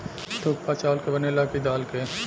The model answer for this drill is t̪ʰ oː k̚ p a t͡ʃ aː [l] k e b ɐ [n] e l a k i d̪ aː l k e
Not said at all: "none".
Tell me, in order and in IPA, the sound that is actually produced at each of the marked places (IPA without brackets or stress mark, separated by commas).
l, n